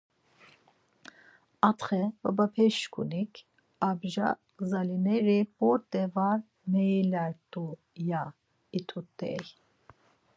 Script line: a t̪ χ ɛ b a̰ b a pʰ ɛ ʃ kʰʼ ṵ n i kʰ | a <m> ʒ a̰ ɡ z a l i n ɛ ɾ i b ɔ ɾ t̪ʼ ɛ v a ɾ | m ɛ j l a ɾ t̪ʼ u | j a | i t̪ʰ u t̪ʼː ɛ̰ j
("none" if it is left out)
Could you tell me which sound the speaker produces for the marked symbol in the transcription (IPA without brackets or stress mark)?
b